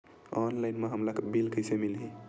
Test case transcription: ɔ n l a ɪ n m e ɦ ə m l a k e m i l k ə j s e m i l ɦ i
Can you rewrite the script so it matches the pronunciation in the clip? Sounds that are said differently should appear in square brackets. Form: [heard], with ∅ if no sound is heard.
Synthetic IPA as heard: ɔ n l a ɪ n m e ɦ ə m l a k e [b] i l k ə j s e m i l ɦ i